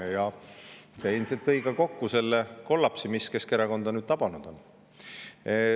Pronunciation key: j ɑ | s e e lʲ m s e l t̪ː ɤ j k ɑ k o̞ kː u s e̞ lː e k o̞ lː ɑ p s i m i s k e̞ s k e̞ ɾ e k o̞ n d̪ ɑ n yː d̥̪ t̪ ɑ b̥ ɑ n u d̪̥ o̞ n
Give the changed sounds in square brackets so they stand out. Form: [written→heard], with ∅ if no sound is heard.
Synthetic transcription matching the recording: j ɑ | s e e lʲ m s e l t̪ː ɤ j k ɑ k o̞ kː u s e̞ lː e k o̞ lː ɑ p s i m i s k e̞ s k e̞ ɾ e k o̞ n d̪ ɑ n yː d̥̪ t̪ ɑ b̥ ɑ n u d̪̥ o̞ n